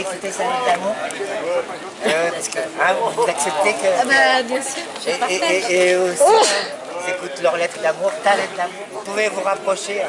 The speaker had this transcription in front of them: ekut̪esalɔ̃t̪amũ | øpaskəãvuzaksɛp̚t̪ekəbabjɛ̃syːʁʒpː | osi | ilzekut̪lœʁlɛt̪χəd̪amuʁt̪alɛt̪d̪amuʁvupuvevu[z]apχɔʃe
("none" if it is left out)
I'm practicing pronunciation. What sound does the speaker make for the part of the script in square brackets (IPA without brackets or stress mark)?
ʁ